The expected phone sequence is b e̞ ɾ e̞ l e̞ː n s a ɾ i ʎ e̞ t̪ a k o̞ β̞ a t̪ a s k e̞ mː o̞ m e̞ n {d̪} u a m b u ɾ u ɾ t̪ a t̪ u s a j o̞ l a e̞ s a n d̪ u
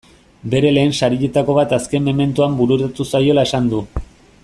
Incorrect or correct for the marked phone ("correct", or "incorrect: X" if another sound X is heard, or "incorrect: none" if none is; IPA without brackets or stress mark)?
incorrect: t̪